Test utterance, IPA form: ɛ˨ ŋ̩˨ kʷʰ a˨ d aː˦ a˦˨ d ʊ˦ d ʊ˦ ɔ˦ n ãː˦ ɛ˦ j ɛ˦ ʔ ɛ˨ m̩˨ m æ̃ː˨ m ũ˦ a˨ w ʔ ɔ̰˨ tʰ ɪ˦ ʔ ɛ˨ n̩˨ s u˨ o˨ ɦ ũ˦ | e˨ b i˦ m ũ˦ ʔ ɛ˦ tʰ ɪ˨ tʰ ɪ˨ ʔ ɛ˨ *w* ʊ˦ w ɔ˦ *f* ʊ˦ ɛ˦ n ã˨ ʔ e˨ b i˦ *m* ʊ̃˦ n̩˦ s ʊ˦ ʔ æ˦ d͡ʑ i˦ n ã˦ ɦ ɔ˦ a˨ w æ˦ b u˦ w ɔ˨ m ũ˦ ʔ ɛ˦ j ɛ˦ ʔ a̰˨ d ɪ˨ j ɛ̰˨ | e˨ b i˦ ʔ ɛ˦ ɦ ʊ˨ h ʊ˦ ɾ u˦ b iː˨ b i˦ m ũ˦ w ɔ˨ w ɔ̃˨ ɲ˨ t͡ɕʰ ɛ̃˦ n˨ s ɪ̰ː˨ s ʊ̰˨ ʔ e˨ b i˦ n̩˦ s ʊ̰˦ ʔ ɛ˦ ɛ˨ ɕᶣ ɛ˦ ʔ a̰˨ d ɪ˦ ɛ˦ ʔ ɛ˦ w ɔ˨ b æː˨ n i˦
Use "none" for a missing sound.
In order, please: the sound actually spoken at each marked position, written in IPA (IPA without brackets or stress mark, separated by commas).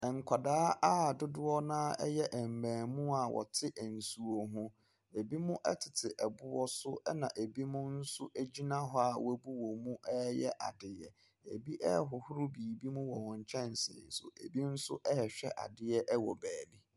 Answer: b, s, m